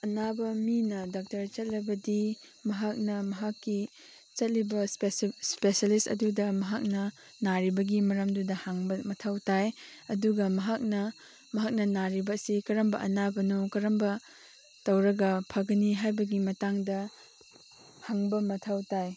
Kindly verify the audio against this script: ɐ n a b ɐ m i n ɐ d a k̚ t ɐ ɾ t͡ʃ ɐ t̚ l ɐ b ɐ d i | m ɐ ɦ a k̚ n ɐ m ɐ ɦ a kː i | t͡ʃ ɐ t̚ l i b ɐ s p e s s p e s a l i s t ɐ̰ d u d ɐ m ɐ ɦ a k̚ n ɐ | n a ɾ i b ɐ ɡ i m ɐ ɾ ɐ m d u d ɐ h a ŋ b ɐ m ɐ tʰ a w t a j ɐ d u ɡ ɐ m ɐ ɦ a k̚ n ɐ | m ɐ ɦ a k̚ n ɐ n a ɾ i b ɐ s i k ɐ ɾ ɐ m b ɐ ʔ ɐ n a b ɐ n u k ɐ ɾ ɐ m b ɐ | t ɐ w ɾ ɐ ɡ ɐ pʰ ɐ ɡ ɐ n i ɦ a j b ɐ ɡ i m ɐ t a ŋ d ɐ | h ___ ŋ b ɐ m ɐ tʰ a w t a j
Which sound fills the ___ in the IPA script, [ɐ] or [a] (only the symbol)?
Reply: a